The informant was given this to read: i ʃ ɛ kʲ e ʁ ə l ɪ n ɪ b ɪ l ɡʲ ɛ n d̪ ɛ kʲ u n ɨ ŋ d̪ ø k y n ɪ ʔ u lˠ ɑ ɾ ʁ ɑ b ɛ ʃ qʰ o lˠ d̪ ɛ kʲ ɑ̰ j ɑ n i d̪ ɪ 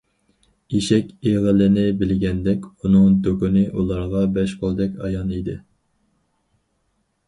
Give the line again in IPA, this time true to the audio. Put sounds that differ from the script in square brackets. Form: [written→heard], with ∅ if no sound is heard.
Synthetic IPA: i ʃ ɛ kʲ e ʁ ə l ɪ n ɪ b ɪ l ɡʲ ɛ n d̪ ɛ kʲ u n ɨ ŋ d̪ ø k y n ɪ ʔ u lˠ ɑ ɾ ʁ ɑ b ɛ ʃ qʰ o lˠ d̪ ɛ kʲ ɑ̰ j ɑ n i d̪ ɪ

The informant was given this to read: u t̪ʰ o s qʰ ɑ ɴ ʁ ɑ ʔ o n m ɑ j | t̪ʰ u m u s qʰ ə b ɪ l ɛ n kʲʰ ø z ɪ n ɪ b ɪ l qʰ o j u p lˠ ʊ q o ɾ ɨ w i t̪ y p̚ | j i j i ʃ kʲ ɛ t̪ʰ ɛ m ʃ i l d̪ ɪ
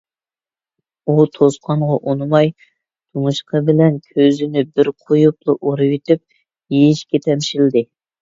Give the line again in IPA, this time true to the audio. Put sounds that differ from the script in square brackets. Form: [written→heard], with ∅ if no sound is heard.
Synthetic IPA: u t̪ʰ o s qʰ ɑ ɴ ʁ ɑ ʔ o n m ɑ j | t̪ʰ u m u [s→ʃ] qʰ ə b ɪ l ɛ n kʲʰ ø z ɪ n ɪ b ɪ [l→ɾ] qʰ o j u p lˠ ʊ [q→ʔ] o ɾ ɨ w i t̪ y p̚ | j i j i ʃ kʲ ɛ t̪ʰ ɛ m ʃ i l d̪ ɪ

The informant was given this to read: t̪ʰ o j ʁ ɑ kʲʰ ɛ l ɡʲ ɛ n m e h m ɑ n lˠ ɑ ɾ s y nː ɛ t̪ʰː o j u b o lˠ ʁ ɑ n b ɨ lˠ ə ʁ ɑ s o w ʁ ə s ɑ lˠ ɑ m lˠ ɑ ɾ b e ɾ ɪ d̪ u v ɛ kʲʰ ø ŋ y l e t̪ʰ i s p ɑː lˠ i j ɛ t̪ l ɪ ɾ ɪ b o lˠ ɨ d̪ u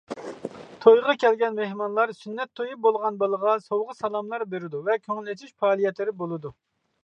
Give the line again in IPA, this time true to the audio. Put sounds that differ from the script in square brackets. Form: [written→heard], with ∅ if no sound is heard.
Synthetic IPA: t̪ʰ o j ʁ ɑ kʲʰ ɛ l ɡʲ ɛ n m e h m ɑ n lˠ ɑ ɾ s y nː ɛ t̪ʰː o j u b o lˠ ʁ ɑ n b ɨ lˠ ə ʁ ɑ s o w ʁ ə s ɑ lˠ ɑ m lˠ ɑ ɾ b e ɾ ɪ d̪ u v ɛ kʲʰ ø ŋ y l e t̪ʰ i [s→ʃ] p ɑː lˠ i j ɛ t̪ l ɪ ɾ ɪ b o lˠ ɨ d̪ u

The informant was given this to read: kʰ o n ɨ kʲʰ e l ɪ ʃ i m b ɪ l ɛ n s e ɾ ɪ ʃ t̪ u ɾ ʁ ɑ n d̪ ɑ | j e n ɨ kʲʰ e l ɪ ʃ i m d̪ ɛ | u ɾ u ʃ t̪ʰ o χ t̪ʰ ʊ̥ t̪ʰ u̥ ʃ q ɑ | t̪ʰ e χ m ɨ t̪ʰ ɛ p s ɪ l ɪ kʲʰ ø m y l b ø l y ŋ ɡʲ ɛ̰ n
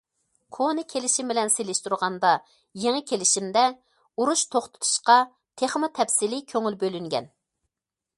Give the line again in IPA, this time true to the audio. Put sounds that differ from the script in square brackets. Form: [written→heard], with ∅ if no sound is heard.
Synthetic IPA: kʰ o n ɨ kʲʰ e l ɪ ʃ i m b ɪ l ɛ n s e [ɾ→l] ɪ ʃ t̪ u ɾ ʁ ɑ n d̪ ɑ | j e [n→ŋ] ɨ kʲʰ e l ɪ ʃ i m d̪ ɛ | u ɾ u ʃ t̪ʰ o χ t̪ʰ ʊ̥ t̪ʰ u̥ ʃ q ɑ | t̪ʰ e χ m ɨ t̪ʰ ɛ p s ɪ l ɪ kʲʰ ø [m→ŋ] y l b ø l y ŋ ɡʲ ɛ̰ n

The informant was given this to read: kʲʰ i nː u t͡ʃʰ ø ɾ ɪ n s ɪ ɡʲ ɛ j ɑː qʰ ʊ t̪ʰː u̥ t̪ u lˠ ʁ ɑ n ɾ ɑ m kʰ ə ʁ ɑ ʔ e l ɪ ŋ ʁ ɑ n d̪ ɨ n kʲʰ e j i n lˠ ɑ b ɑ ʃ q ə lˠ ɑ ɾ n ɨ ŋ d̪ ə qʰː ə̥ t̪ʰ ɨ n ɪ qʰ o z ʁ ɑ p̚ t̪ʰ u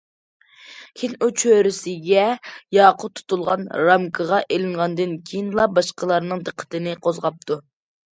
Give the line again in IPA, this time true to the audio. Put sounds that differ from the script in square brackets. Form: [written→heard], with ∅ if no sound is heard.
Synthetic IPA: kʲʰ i [nː→n] u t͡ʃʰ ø ɾ ɪ [n→∅] s ɪ ɡʲ ɛ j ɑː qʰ ʊ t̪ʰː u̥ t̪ u lˠ ʁ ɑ n ɾ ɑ m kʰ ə ʁ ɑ ʔ e l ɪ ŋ ʁ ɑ n d̪ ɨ n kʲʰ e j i n lˠ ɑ b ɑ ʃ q ə lˠ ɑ ɾ n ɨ ŋ d̪ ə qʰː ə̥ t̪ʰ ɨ n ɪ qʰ o z ʁ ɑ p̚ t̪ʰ u

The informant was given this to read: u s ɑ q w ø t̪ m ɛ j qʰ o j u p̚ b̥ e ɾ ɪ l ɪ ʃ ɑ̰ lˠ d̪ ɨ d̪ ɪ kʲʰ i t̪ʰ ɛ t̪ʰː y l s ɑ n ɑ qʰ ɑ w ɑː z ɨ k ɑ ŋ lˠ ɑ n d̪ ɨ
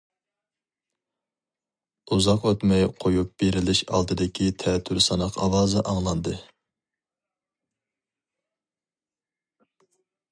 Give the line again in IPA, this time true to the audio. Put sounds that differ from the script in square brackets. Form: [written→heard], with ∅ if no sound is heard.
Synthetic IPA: u [s→z] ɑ q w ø t̪ m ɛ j qʰ o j u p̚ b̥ e ɾ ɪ l ɪ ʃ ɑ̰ lˠ d̪ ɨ d̪ ɪ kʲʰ i t̪ʰ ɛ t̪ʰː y [l→ɾ] s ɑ n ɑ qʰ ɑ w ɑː z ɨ [k→ʔ] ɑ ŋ lˠ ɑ n d̪ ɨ

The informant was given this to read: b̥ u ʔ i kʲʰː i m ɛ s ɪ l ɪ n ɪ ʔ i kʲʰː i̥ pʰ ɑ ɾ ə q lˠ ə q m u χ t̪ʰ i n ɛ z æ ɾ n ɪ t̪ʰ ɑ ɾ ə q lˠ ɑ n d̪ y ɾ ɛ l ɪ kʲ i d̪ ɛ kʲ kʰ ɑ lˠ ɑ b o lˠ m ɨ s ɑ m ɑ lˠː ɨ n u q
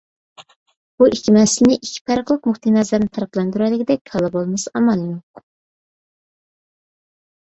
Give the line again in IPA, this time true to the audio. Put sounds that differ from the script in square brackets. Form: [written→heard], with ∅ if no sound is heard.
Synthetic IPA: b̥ u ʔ i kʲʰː i m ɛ s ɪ l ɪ n ɪ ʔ i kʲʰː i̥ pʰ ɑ ɾ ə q lˠ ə q m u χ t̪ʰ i n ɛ z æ ɾ n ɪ t̪ʰ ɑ ɾ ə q lˠ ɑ n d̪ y ɾ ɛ l ɪ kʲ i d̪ ɛ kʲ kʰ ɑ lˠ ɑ b o lˠ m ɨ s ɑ m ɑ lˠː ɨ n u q

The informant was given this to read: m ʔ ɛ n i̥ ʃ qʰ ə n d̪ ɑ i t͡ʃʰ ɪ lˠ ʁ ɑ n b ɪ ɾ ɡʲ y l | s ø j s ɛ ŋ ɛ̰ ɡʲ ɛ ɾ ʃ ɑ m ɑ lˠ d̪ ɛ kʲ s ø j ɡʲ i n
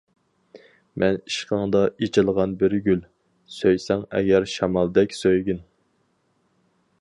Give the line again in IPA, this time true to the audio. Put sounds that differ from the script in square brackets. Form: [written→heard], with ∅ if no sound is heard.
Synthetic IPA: m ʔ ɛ n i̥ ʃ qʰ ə [n→ŋ] d̪ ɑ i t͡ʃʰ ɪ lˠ ʁ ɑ n b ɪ ɾ ɡʲ y l | s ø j s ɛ ŋ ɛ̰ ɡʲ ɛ ɾ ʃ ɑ m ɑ lˠ d̪ ɛ kʲ s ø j ɡʲ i n

